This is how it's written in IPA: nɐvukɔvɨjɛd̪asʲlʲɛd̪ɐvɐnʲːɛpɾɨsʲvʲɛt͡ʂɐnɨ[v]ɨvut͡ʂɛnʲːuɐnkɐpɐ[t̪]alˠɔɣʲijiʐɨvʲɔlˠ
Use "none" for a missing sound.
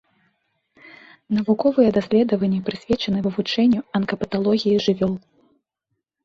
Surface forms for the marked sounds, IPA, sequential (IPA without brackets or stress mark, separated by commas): v, t̪